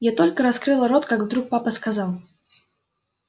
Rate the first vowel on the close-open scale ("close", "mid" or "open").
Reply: open